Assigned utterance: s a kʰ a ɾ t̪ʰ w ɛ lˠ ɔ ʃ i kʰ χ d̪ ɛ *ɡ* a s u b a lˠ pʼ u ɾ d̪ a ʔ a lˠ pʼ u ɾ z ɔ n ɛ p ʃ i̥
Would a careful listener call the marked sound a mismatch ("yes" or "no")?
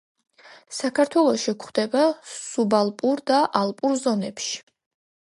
yes